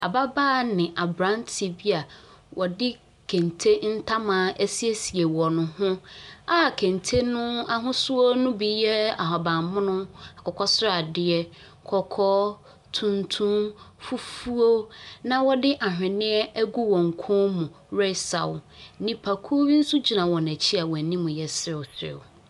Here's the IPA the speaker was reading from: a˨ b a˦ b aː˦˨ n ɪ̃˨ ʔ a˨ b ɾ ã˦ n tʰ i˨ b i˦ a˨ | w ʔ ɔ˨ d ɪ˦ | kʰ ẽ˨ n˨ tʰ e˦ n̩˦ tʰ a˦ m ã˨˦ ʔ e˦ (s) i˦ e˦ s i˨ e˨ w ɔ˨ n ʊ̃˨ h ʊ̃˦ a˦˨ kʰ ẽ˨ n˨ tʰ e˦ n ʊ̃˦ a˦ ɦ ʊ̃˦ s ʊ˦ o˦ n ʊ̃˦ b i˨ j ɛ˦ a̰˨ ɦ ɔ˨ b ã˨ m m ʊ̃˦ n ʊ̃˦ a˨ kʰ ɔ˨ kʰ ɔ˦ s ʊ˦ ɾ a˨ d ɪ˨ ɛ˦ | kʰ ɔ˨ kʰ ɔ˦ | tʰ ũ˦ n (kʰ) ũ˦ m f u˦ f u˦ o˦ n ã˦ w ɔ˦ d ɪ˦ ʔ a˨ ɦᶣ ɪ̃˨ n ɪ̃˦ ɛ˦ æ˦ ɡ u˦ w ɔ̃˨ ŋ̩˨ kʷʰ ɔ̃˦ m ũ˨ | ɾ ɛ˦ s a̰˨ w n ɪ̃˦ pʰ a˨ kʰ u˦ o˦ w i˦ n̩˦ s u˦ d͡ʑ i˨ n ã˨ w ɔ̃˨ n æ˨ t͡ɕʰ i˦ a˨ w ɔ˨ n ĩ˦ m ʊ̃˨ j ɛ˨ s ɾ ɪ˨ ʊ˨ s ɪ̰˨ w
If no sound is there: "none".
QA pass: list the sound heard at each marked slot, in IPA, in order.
s, tʰ

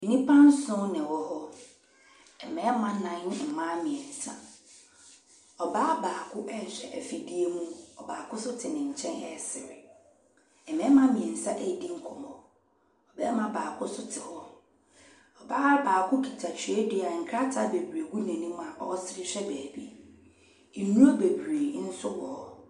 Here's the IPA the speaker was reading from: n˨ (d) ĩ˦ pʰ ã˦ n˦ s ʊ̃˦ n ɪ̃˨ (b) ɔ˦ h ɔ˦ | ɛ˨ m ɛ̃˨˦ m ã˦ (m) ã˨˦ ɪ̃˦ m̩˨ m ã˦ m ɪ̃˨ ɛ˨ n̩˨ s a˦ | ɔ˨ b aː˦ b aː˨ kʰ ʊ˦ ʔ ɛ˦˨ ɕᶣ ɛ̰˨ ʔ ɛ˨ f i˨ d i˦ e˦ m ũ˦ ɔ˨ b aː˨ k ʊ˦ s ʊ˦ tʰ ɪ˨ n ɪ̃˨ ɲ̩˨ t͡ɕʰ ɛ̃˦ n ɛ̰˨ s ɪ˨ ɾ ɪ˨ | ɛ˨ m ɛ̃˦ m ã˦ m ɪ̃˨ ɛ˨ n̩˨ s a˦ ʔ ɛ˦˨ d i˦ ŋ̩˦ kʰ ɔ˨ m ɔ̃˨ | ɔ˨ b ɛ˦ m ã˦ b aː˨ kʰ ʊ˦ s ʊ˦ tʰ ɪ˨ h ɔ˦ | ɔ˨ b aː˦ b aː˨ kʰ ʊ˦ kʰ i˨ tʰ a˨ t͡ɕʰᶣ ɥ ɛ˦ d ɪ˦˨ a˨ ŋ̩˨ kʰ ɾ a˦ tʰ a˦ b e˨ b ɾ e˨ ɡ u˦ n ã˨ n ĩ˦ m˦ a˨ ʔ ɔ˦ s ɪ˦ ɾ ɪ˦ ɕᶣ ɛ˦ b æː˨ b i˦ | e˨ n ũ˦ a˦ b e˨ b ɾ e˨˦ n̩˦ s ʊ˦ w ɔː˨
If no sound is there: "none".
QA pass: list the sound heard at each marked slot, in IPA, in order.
n, w, n

